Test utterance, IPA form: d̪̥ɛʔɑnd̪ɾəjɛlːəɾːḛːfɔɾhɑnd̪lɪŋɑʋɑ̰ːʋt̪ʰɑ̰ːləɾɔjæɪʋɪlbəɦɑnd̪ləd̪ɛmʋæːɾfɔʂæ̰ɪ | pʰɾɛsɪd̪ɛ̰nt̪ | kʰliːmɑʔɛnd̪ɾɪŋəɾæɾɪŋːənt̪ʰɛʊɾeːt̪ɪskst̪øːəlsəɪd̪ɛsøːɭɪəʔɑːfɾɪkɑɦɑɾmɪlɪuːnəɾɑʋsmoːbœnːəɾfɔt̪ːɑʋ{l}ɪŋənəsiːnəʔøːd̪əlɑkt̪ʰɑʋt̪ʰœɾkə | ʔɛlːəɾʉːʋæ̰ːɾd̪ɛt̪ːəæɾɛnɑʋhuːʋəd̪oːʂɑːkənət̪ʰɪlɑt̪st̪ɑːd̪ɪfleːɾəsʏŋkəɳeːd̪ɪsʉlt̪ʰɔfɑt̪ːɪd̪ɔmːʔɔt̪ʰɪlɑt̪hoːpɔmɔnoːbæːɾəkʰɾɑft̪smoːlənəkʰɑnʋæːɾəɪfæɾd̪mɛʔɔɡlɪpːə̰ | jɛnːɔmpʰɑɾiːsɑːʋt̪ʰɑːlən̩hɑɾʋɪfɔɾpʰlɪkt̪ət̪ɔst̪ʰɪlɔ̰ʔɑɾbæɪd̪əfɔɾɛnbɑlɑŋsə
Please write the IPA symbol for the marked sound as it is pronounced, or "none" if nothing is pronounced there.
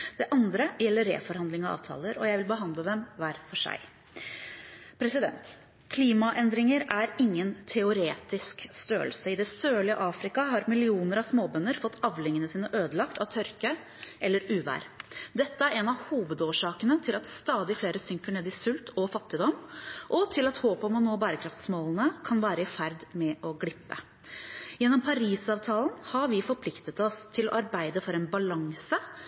l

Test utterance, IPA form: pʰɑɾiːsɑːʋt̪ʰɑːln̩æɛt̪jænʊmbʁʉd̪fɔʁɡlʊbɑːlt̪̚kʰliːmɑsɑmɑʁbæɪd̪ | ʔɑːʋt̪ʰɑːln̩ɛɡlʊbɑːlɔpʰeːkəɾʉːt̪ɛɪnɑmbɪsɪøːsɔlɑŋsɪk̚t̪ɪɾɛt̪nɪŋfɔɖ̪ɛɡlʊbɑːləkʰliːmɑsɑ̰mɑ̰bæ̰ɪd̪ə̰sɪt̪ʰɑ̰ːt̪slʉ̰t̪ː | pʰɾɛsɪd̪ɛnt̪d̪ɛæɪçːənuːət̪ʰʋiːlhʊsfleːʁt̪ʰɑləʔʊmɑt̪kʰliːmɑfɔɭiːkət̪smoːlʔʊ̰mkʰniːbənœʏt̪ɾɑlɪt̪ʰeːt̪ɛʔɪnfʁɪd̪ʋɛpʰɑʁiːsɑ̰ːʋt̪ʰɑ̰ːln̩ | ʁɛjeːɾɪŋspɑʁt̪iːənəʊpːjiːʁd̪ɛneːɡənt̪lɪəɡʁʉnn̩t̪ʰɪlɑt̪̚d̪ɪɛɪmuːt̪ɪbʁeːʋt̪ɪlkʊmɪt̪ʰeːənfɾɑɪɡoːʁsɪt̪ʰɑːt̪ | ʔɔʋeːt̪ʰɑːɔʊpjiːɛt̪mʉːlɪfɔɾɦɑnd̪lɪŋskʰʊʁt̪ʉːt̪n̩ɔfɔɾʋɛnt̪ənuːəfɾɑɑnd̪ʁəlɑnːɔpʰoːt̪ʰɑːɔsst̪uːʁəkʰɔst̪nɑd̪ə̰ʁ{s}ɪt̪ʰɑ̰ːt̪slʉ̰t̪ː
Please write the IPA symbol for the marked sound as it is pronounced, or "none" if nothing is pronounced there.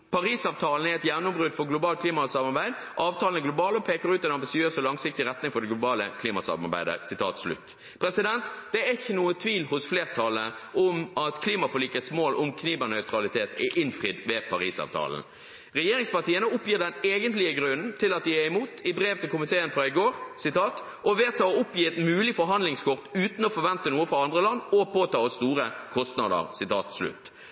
s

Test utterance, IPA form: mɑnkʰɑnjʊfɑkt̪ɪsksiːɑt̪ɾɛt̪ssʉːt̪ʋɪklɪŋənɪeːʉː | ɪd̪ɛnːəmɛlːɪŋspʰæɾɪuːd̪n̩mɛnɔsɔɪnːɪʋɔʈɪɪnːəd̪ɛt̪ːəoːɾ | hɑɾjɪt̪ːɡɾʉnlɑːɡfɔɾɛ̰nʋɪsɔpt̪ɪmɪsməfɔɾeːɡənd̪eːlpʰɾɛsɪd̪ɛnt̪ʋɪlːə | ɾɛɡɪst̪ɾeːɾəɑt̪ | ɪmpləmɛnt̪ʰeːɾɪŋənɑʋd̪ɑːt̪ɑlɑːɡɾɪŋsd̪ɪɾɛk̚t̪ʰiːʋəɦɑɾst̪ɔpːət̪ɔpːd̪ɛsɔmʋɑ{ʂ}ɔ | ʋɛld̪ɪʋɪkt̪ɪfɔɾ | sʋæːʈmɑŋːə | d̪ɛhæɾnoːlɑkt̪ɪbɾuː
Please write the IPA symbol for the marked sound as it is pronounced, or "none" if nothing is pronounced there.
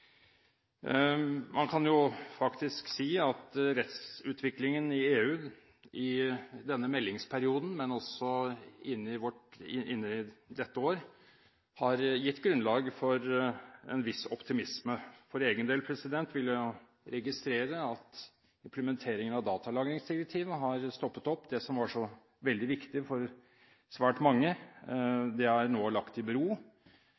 ʂ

